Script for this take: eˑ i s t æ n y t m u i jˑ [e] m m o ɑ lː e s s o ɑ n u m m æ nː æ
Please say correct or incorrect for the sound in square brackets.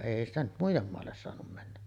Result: correct